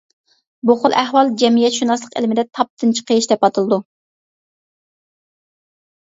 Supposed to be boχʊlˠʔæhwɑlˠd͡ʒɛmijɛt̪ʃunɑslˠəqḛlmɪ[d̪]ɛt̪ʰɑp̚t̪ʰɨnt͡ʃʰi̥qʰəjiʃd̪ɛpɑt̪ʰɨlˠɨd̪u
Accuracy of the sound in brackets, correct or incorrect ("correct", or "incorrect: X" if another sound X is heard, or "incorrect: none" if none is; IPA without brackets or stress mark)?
correct